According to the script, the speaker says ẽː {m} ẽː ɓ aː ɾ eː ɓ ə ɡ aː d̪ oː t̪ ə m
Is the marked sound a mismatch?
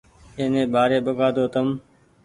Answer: yes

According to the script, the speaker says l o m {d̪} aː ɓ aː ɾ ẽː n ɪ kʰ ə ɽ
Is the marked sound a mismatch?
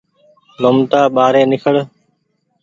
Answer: yes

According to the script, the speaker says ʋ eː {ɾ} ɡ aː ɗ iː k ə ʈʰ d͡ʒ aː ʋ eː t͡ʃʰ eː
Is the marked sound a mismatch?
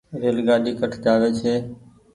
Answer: yes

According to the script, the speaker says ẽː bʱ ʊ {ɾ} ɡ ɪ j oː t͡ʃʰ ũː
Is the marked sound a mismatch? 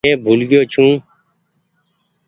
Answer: yes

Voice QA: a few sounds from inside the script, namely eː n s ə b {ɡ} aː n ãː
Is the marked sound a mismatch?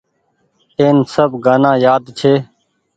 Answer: no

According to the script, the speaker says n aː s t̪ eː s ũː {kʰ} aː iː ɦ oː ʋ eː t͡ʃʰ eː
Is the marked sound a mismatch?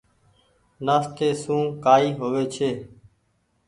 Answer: yes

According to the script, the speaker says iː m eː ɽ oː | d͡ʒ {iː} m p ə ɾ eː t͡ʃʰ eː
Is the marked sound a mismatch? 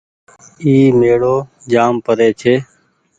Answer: yes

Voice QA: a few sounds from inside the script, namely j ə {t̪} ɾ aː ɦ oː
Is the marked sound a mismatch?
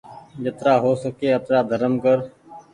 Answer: no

